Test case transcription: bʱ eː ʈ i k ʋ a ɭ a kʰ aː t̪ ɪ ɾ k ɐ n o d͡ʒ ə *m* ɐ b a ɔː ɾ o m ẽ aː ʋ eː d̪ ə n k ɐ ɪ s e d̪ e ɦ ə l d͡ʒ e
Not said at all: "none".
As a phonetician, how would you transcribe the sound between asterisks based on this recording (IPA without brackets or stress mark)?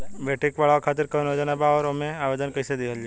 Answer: n